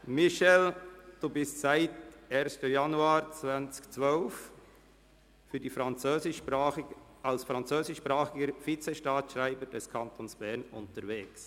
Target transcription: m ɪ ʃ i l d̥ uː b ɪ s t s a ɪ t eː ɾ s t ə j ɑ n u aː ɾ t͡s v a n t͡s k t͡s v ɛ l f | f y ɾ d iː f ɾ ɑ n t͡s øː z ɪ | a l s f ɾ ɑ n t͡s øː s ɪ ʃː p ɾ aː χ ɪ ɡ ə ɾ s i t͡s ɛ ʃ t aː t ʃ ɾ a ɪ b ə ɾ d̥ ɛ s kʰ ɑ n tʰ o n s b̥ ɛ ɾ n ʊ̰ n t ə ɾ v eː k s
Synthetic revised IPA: m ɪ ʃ ɛ l d̥ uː b ɪ s t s a ɪ t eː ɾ s t ə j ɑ n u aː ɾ t͡s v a n t͡s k t͡s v œ l f | f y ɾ d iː f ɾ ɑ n t͡s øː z ɪ | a l s f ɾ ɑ n t͡s øː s ɪ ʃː p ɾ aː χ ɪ ɡ ə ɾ f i t͡s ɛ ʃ t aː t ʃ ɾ a ɪ b ə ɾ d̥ ɛ s kʰ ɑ n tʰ o n s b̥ ɛ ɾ n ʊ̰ n t ə ɾ v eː k s